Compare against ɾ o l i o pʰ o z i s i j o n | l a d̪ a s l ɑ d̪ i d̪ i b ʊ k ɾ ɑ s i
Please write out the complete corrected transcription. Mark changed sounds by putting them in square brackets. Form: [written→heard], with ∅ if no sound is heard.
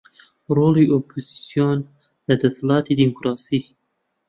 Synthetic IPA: ɾ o l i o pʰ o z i s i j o n | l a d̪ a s l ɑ [d̪→t̪] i d̪ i [b→m] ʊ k ɾ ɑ s i

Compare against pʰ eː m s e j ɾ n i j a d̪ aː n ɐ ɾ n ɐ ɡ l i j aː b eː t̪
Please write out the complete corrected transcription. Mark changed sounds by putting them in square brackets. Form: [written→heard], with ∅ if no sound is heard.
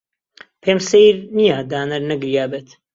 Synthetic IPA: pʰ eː m s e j ɾ n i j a d̪ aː n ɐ ɾ n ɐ ɡ [l→ɾ] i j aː b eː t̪

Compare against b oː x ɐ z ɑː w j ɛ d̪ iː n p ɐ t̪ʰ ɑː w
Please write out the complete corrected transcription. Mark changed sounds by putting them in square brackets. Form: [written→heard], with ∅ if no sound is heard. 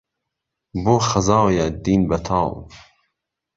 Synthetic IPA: b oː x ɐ z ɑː w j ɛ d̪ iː n [p→b] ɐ t̪ʰ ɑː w

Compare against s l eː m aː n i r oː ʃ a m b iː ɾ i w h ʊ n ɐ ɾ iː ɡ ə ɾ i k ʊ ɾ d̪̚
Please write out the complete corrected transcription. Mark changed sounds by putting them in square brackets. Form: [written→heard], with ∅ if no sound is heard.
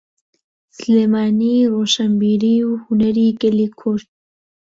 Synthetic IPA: s l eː m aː n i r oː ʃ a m b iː ɾ i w h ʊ n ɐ ɾ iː ɡ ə [ɾ→l] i [k→kʰ] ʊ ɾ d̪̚

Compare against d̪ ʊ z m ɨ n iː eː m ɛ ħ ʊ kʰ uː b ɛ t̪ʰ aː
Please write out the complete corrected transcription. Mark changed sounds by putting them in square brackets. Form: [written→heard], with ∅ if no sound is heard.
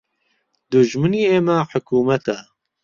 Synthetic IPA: d̪ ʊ [z→ʒ] m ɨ n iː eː m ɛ ħ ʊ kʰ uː [b→m] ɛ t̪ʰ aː

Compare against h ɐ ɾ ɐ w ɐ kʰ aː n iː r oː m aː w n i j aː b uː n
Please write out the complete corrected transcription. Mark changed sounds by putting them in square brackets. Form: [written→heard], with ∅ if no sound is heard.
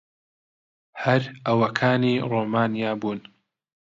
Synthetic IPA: h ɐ ɾ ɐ w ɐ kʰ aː n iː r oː m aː [w→∅] n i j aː b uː n

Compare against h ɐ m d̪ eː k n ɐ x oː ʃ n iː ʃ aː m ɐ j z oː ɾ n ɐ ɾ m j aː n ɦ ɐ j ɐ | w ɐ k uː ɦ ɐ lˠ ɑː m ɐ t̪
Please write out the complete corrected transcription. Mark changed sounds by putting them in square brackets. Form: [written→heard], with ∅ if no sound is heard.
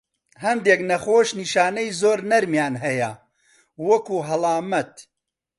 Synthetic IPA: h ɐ m d̪ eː k n ɐ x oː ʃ n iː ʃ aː [m→n] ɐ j z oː ɾ n ɐ ɾ m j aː n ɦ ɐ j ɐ | w ɐ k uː ɦ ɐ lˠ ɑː m ɐ t̪

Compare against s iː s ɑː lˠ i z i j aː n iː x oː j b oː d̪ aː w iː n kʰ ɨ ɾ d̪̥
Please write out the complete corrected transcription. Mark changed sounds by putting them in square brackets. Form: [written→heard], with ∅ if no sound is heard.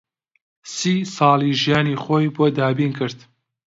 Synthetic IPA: s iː s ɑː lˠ i [z→ʒ] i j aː n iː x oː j b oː d̪ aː [w→b] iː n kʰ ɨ ɾ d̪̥

